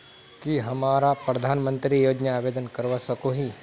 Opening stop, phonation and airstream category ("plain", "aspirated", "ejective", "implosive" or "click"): plain